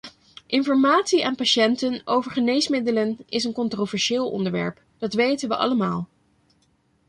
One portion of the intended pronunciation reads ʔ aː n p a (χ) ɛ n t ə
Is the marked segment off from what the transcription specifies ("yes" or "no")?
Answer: yes